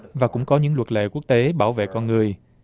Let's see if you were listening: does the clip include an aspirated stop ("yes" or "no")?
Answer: no